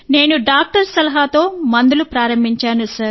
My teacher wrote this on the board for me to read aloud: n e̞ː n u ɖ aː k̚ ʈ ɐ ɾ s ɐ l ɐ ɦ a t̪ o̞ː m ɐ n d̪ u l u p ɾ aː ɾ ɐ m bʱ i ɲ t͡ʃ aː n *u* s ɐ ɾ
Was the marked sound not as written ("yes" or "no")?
no